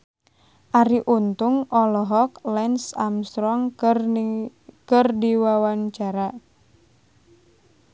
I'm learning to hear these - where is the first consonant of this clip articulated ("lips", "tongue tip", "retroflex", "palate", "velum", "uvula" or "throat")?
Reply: throat